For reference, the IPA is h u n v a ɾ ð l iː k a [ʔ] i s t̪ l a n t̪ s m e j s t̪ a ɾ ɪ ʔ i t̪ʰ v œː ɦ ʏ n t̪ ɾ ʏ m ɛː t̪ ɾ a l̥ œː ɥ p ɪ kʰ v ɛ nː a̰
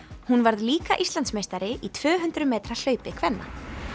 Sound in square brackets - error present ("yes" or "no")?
no